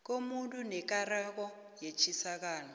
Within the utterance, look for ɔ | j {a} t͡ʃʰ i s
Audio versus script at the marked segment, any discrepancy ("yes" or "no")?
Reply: yes